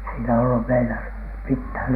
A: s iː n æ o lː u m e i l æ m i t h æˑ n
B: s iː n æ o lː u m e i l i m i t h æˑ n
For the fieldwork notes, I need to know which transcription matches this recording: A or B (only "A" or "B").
A